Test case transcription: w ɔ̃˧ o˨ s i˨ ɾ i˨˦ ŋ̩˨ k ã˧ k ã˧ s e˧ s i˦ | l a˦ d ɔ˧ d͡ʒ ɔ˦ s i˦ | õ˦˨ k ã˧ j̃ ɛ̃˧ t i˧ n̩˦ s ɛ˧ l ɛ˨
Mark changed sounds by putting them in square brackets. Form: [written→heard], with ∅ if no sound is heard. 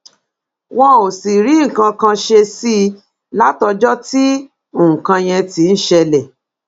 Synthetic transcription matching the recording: w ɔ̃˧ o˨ s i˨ ɾ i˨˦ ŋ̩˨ k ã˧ k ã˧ [s→ʃ] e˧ s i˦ | l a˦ [d→t] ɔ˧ d͡ʒ ɔ˦ [s→t] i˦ | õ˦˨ k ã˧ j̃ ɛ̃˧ t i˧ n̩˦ [s→ʃ] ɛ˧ l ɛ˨